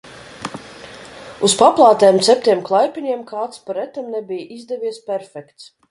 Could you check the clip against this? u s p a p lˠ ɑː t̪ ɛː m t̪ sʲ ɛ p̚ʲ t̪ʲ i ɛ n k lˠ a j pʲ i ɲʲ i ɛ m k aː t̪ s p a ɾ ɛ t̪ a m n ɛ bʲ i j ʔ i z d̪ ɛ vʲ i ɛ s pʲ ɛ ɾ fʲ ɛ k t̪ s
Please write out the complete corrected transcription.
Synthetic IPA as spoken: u s p a p lˠ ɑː t̪ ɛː m t̪ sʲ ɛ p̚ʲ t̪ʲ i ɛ m k lˠ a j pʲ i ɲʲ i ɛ m k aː t̪ s p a ɾ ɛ t̪ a m n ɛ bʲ i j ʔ i z d̪ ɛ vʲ i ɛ s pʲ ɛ ɾ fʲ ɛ k t̪ s